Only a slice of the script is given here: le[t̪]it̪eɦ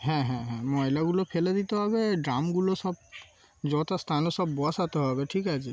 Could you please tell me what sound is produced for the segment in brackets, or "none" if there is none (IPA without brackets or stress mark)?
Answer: d̪